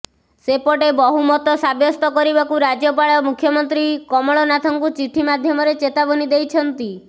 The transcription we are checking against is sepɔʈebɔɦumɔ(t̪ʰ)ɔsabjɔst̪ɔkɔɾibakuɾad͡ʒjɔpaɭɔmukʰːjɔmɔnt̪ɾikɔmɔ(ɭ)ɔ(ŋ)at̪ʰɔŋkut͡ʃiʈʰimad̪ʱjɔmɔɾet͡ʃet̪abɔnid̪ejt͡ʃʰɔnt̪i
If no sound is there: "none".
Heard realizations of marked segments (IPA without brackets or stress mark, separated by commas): t̪, ɭ, n